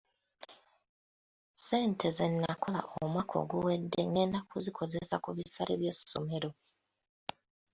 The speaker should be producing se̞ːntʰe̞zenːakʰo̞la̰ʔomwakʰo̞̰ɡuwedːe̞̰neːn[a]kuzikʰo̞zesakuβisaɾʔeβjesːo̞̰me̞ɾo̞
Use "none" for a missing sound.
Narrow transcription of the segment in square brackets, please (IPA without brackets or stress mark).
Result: a